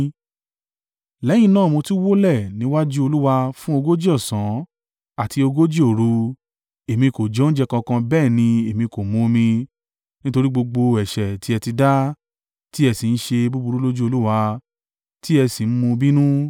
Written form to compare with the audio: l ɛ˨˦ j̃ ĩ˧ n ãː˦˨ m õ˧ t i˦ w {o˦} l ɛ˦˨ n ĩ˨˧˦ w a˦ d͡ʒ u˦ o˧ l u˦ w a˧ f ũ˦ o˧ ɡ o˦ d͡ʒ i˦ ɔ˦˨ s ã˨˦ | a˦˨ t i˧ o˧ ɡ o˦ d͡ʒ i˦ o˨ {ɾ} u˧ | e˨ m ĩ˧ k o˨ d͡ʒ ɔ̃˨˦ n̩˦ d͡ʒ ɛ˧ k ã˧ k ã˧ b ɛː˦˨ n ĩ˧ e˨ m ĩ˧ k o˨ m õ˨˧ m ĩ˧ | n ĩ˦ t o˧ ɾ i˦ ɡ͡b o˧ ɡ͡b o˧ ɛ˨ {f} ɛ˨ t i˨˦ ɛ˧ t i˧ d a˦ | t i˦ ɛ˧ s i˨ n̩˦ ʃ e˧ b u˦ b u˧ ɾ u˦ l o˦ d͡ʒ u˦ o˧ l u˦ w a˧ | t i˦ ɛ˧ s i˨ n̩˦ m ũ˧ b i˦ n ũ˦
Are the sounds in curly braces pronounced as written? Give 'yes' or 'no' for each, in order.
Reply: yes, yes, no

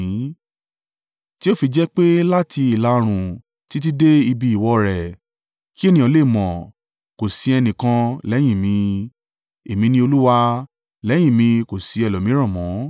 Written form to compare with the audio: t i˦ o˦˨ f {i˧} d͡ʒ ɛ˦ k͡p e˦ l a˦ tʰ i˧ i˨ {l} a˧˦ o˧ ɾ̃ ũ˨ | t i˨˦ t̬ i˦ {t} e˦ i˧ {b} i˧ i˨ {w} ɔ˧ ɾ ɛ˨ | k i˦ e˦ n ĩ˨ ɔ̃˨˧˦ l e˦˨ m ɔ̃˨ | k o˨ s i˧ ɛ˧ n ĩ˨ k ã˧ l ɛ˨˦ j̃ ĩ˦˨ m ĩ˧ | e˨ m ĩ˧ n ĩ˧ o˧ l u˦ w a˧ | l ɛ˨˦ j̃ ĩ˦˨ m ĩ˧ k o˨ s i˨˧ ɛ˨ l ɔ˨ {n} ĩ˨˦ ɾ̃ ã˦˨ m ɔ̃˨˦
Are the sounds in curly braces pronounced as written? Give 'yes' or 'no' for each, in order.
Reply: yes, yes, no, yes, yes, no

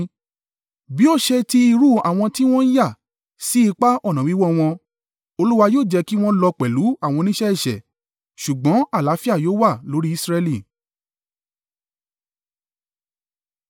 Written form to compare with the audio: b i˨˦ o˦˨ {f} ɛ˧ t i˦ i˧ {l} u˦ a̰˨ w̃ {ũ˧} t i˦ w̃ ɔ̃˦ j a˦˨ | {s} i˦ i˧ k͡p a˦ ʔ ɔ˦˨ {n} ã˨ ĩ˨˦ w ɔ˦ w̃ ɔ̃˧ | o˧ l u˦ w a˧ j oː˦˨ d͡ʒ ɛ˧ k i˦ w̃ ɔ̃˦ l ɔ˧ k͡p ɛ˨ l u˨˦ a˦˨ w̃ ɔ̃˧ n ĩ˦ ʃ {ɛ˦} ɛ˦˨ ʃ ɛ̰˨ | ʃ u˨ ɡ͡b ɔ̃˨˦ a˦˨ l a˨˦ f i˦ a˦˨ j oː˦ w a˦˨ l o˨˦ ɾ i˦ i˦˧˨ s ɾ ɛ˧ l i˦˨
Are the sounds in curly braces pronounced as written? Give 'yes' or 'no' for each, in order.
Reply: no, no, no, yes, yes, yes

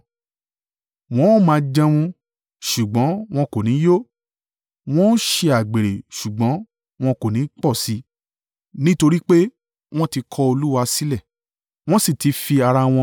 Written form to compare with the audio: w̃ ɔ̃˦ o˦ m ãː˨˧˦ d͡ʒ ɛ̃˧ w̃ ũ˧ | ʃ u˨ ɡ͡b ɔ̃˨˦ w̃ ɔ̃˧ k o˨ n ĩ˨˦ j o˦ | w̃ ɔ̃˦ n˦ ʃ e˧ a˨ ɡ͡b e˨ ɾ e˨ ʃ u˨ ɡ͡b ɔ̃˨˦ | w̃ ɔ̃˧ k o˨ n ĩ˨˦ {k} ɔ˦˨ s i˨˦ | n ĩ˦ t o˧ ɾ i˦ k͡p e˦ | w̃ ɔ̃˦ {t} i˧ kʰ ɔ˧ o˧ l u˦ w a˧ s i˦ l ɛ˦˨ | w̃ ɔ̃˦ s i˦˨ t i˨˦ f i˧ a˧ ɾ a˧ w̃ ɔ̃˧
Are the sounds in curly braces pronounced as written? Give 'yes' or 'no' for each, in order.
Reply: no, yes

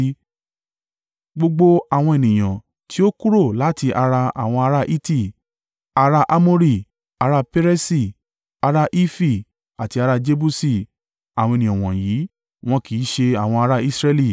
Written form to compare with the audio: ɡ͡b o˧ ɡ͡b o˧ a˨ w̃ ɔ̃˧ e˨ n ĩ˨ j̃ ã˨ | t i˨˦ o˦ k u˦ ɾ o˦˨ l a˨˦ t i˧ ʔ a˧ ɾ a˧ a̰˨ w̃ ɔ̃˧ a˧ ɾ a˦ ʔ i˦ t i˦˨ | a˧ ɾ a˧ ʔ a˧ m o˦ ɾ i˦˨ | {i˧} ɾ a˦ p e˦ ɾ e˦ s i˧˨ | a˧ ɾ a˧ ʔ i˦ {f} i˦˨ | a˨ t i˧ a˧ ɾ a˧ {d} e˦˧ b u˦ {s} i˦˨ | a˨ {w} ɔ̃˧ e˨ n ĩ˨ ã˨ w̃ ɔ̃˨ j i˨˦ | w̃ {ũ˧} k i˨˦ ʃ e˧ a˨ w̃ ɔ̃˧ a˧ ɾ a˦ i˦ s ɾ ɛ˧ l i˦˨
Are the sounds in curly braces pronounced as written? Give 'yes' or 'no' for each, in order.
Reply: no, yes, no, yes, yes, no

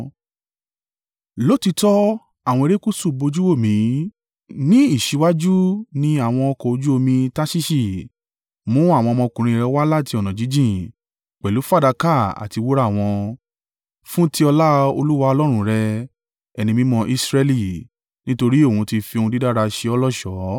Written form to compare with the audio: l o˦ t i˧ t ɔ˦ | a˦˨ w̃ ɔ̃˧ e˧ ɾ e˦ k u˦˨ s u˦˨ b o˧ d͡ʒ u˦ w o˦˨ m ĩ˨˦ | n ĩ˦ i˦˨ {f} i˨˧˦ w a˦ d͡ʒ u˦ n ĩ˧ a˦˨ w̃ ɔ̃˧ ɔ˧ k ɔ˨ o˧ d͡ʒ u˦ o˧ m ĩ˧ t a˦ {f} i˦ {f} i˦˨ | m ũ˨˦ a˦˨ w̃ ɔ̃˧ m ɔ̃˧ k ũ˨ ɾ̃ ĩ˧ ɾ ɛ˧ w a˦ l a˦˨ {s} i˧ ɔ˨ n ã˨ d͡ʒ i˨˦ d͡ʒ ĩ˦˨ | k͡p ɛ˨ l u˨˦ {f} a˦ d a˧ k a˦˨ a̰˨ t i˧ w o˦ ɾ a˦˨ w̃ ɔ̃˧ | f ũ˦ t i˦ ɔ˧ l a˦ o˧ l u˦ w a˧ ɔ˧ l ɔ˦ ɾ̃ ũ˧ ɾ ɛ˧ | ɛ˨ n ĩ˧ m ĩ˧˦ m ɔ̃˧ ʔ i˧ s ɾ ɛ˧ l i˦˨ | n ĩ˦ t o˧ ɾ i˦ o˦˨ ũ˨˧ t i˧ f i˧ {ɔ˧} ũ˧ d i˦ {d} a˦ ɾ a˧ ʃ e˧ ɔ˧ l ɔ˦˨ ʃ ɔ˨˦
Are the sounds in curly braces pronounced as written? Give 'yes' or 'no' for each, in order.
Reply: no, no, no, no, yes, no, yes

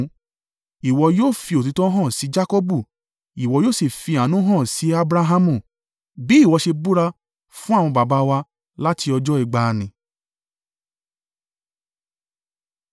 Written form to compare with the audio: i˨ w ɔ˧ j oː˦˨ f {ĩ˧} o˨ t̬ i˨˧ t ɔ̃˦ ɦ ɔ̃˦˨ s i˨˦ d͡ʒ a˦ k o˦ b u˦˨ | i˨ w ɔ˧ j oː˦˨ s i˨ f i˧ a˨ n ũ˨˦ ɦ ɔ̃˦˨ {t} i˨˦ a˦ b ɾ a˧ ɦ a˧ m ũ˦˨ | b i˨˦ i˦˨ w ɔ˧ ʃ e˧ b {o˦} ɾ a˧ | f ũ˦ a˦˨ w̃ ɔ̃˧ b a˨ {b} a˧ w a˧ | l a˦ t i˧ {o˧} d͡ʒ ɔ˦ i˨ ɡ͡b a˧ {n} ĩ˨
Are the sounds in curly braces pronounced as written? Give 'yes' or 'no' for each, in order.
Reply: no, no, no, yes, no, yes

